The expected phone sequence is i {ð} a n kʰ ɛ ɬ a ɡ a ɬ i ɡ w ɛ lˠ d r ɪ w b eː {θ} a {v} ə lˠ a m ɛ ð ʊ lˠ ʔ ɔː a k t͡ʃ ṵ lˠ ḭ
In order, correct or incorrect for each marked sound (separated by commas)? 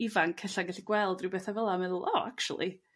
incorrect, correct, correct